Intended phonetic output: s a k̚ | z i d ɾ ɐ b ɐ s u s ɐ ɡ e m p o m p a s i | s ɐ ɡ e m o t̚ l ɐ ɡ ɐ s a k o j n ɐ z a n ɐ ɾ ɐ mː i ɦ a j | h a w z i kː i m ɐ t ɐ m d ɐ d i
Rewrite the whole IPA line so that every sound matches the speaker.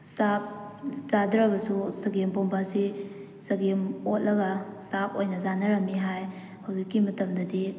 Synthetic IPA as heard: s a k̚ | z a d ɾ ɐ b ɐ s u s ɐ ɡ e m p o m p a s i | s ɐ ɡ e m o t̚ l ɐ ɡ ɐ s a k o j n ɐ z a n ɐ ɾ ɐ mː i ɦ a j | h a w z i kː i m ɐ t ɐ m d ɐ d i